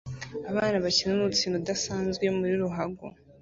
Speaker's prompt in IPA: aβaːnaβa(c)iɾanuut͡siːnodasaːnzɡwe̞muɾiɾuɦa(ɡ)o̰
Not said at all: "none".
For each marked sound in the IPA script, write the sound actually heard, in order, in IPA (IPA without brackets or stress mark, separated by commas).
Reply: c, ɡ